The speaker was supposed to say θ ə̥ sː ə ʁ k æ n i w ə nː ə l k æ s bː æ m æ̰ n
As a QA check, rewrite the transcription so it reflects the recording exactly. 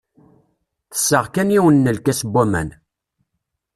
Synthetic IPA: θ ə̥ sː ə ʁ k æ n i w ə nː ə l k æ s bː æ m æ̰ n